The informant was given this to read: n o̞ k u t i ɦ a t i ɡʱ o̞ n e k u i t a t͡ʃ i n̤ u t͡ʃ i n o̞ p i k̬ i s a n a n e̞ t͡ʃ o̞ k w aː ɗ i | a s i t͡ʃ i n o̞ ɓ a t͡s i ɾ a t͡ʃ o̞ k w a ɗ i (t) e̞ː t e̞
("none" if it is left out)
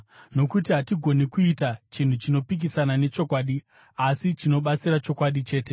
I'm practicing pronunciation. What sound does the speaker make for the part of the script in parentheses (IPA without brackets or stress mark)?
t͡ʃ